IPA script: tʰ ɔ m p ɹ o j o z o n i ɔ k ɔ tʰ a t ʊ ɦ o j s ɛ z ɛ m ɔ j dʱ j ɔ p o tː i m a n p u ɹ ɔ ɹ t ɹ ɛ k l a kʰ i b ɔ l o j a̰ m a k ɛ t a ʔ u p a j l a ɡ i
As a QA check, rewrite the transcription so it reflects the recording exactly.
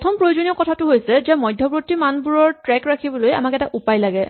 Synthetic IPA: tʰ ɔ m p ɹ o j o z o n i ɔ k ɔ tʰ a t ʊ ɦ o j s ɛ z ɛ m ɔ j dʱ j ɔ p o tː i m a n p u ɹ ɔ ɹ t ɹ ɛ k ɹ a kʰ i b ɔ l o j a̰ m a k ɛ t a ʔ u p a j l a ɡ ɛ